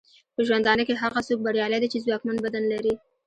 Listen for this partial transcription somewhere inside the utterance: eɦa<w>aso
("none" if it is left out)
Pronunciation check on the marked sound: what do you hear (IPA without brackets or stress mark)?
ɣ